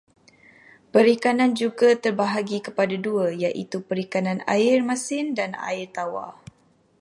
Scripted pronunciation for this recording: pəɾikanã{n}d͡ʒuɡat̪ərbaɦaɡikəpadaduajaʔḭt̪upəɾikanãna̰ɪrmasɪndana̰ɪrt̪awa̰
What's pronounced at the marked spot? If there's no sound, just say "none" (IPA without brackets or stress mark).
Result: n